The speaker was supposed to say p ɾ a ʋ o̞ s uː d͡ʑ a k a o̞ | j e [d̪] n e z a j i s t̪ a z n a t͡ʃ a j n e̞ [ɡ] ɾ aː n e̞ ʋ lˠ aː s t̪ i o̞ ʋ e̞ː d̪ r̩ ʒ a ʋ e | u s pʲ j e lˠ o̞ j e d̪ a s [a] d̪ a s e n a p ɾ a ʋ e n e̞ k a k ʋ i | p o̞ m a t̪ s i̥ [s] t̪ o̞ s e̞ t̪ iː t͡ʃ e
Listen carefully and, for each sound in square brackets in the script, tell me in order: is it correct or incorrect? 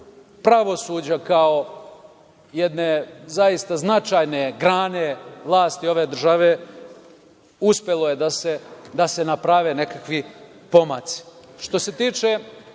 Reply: correct, correct, incorrect: e, incorrect: ʃ

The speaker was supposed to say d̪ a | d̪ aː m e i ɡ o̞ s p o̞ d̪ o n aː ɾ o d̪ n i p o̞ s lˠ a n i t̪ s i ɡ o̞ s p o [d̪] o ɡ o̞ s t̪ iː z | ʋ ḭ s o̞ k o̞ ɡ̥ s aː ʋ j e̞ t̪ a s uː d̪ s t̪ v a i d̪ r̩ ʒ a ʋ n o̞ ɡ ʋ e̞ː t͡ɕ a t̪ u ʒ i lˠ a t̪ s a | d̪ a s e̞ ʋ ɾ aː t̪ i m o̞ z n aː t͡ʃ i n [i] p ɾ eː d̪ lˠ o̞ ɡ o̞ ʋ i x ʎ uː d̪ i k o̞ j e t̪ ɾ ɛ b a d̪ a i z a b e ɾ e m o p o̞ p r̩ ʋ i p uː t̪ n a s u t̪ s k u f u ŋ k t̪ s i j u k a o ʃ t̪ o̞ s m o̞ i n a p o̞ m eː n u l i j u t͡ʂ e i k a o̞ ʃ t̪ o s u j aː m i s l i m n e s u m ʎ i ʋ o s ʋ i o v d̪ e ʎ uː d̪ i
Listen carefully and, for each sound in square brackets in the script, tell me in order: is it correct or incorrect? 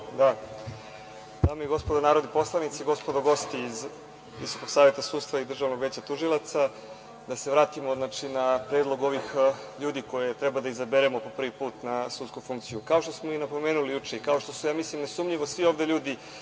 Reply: correct, incorrect: a

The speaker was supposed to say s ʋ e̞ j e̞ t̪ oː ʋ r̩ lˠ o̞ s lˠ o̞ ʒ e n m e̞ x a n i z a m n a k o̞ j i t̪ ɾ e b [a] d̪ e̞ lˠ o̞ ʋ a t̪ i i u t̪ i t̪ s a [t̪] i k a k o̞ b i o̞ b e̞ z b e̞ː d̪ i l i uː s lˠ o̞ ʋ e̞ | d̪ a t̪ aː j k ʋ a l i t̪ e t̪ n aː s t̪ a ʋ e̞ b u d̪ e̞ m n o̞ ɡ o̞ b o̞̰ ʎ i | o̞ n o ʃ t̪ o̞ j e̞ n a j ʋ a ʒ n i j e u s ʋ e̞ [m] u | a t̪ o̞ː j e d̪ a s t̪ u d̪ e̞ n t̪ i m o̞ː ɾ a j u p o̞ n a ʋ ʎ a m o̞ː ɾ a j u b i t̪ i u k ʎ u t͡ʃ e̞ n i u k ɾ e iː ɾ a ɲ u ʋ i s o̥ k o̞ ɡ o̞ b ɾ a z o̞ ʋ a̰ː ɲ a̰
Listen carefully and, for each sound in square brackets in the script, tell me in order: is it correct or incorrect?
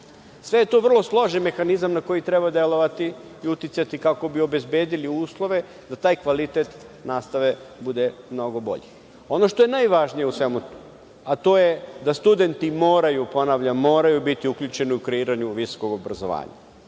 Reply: correct, correct, correct

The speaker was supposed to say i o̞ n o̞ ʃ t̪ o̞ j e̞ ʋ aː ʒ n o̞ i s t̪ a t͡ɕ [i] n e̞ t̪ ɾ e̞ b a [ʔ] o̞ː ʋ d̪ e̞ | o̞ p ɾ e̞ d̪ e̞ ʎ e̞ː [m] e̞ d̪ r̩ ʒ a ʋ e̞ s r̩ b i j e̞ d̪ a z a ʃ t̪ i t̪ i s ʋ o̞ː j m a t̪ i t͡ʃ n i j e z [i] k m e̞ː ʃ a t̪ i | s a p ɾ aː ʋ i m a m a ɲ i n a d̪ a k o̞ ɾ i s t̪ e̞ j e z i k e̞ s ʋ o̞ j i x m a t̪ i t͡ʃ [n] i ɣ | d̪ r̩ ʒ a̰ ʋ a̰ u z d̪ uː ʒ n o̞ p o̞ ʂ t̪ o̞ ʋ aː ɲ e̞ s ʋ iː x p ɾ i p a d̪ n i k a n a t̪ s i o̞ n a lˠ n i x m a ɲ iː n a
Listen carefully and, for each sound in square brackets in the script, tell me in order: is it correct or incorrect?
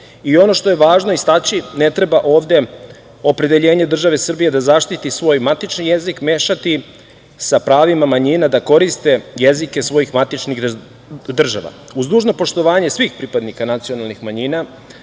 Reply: correct, correct, incorrect: ɲ, correct, correct

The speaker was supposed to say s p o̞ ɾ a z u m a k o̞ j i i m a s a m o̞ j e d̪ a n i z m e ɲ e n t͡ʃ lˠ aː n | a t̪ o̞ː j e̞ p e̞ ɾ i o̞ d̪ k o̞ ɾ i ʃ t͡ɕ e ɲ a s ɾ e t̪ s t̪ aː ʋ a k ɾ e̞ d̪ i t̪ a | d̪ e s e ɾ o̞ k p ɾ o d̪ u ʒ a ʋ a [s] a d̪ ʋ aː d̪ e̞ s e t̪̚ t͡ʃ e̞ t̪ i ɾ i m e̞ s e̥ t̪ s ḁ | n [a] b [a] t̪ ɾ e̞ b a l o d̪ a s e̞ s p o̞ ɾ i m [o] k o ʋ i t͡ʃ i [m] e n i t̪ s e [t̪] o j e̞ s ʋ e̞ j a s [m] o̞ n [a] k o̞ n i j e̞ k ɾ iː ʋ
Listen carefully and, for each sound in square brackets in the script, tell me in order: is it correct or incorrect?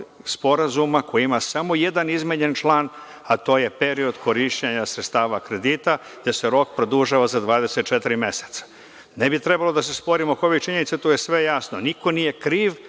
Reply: incorrect: z, incorrect: e, incorrect: i, correct, incorrect: ɲ, correct, incorrect: n, incorrect: i

